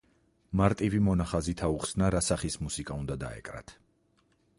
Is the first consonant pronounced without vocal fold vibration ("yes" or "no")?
no